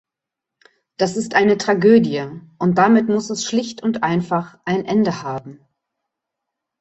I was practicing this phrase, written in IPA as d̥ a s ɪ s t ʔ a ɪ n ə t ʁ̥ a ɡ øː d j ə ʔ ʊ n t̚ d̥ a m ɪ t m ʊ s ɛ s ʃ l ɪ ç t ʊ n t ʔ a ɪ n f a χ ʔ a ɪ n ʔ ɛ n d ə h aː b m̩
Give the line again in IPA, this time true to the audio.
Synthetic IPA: d̥ a s ɪ s t ʔ a ɪ n ə t ʁ̥ a ɡ øː d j ə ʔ ʊ n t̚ d̥ a m ɪ t m ʊ s ɛ s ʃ l ɪ ç t ʊ n t ʔ a ɪ n f a χ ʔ a ɪ n ʔ ɛ n d ə h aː b m̩